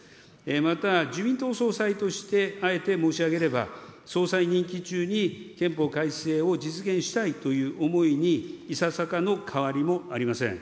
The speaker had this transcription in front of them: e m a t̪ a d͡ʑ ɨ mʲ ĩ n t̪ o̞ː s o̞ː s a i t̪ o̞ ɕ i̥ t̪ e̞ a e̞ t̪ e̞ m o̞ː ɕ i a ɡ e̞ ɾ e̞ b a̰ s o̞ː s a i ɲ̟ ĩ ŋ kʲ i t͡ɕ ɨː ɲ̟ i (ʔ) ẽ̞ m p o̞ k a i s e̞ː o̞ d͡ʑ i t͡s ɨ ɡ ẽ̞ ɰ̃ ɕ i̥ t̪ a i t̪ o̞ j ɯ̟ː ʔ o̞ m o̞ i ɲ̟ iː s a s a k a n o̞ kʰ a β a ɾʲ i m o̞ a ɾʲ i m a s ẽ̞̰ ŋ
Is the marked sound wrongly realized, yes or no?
yes